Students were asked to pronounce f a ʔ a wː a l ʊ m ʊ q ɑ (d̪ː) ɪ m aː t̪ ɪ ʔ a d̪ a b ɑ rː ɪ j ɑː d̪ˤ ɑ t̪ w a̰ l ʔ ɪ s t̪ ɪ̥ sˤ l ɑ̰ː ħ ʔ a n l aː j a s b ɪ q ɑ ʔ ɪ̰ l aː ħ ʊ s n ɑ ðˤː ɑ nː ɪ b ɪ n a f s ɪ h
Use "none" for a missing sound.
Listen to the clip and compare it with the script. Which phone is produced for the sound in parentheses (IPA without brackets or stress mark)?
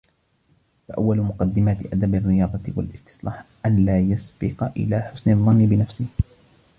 d̪ː